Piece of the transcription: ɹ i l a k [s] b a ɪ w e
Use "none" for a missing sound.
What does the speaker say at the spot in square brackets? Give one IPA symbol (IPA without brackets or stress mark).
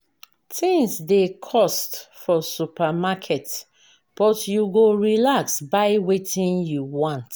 s